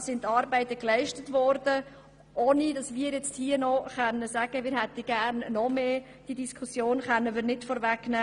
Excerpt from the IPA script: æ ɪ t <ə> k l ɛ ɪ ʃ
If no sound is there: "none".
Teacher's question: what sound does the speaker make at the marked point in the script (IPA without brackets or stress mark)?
ə